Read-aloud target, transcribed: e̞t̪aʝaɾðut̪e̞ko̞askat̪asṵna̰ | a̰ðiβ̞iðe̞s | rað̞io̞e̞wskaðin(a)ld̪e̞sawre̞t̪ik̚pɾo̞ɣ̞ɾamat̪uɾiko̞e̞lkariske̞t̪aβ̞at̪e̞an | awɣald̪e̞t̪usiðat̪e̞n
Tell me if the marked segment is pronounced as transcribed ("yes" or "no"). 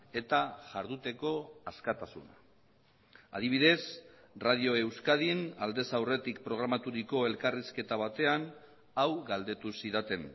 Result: yes